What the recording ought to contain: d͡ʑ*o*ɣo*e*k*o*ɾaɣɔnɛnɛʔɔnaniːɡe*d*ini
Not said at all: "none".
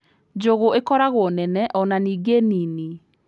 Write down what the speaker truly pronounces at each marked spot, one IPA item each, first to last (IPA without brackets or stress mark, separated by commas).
o, e, ɔ, n